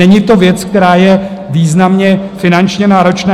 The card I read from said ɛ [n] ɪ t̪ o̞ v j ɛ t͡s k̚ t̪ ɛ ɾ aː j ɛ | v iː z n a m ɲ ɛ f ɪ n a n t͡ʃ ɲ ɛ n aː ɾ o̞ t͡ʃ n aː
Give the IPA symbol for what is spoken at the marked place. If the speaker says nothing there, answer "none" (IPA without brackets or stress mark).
ɲ